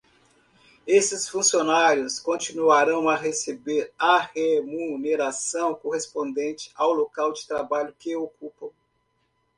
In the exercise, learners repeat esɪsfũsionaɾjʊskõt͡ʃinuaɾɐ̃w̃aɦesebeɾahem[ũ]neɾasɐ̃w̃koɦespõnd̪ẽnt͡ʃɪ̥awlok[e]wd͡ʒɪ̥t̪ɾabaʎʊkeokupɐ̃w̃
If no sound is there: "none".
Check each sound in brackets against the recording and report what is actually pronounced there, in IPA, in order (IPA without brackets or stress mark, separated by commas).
u, a